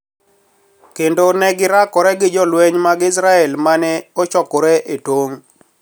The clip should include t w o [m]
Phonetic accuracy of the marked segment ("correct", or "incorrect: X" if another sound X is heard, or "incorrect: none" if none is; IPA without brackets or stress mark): incorrect: ŋ